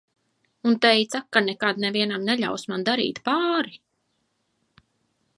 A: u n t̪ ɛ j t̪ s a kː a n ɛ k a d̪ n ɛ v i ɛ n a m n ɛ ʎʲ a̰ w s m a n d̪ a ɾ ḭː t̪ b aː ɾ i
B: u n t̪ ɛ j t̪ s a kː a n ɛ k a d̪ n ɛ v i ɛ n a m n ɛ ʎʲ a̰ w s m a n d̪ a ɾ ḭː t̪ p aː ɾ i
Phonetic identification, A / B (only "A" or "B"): B